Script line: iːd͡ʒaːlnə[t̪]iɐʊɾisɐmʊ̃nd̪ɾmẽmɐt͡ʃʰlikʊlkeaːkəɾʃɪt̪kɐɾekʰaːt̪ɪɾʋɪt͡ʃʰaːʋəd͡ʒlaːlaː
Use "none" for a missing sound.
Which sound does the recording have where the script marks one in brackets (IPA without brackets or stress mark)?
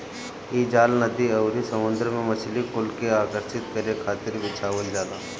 d̪